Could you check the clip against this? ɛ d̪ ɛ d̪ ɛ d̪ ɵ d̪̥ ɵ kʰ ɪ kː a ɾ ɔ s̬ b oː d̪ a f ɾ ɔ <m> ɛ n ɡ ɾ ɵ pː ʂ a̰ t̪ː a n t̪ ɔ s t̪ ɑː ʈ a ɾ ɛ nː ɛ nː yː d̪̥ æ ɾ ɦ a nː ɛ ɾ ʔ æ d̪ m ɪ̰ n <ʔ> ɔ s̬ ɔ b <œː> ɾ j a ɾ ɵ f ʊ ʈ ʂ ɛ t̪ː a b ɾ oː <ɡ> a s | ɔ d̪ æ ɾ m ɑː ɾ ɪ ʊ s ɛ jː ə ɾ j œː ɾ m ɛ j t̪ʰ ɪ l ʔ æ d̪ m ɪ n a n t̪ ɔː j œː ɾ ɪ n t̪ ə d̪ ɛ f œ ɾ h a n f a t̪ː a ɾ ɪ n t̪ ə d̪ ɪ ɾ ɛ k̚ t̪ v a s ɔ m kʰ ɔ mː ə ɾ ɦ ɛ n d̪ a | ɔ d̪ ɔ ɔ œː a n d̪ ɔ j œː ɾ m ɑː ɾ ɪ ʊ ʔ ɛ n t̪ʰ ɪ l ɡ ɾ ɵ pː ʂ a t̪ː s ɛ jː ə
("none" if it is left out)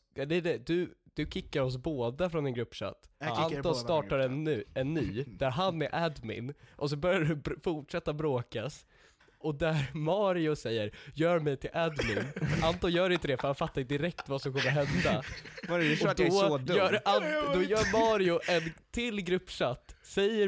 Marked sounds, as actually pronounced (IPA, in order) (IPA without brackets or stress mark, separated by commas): n, ʔ, œ, k